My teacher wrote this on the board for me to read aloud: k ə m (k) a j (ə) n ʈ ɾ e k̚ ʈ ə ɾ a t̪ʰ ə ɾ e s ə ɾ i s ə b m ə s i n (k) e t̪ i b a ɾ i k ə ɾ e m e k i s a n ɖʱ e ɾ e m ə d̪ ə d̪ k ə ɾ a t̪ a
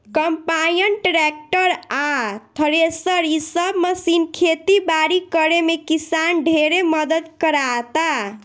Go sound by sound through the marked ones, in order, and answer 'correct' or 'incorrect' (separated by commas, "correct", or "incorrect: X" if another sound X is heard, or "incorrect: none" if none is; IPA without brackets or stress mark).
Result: incorrect: p, correct, incorrect: kʰ